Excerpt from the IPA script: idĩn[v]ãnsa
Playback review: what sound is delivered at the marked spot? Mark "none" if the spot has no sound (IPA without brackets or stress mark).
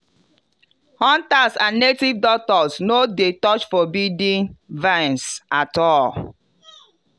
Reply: v